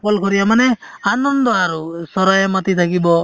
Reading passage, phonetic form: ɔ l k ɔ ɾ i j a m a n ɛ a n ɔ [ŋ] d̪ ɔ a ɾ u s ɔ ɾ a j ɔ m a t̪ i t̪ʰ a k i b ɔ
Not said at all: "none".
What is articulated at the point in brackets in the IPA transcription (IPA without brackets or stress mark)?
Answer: n